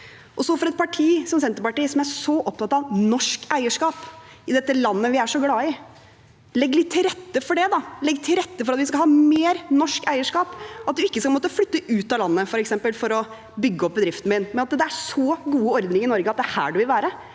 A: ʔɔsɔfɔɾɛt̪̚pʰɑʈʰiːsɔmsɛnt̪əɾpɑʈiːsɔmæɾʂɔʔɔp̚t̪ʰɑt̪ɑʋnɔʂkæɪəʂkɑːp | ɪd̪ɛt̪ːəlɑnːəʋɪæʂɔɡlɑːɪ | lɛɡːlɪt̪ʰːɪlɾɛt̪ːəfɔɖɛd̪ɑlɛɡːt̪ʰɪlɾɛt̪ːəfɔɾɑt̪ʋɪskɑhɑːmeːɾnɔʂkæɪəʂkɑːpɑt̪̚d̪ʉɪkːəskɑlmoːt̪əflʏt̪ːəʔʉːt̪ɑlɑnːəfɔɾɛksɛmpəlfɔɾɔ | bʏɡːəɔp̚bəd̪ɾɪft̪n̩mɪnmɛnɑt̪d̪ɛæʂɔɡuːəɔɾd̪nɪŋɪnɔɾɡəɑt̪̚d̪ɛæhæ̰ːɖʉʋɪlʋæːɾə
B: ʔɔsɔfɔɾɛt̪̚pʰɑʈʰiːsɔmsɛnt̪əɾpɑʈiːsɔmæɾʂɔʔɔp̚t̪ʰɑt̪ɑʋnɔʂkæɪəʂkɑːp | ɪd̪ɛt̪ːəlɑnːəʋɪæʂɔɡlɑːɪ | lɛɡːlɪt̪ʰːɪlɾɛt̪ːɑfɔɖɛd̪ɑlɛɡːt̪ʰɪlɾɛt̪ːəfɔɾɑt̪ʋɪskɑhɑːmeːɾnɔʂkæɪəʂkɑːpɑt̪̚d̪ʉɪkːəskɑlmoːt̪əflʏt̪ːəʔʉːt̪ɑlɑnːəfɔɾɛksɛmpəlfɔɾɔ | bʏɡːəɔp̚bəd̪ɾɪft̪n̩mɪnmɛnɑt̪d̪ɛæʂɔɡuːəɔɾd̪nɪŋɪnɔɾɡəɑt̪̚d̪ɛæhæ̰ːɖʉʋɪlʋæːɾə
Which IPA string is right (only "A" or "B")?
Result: A